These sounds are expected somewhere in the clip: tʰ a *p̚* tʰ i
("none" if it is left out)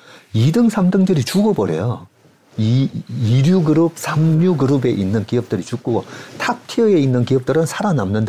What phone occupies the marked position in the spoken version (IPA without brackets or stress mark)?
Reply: p̚